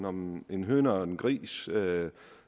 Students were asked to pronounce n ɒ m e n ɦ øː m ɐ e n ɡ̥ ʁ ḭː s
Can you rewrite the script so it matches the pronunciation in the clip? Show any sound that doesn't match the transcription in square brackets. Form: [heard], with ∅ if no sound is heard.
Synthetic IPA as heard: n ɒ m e n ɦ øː [n] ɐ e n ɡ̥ ʁ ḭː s